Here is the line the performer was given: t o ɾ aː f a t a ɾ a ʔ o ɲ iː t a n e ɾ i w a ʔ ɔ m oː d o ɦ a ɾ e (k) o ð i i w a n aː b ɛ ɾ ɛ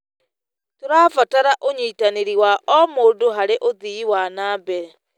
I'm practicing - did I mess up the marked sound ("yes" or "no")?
yes